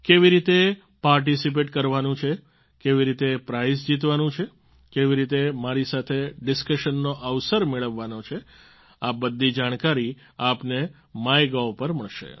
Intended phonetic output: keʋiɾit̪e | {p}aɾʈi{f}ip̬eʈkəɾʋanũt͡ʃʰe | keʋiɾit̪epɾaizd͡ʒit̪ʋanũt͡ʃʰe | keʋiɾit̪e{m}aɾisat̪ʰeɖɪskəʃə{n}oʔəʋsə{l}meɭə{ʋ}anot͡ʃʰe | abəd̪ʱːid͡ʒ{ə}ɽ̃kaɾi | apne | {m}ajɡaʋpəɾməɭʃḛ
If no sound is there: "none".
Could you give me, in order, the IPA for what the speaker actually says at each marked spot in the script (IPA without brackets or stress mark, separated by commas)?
p, s, m, nː, ɾ, ʋː, a, m